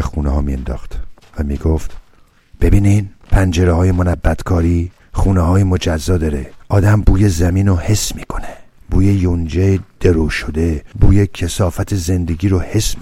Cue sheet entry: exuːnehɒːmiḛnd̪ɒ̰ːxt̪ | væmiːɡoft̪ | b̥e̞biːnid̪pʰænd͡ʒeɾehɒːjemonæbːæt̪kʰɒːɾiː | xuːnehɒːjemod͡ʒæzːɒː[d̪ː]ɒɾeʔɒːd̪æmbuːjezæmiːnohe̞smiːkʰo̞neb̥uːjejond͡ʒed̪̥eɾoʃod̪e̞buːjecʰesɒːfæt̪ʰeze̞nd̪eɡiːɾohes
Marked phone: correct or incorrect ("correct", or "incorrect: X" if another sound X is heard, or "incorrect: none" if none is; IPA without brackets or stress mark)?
incorrect: d̪